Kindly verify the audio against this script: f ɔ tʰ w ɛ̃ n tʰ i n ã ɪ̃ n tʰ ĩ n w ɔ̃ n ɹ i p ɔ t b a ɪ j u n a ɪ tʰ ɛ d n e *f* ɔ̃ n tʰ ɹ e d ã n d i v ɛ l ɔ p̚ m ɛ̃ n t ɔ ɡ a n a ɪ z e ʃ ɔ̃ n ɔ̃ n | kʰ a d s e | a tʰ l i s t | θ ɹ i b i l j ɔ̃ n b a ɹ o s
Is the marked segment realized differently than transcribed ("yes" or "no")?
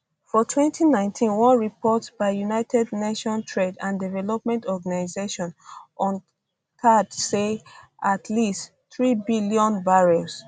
yes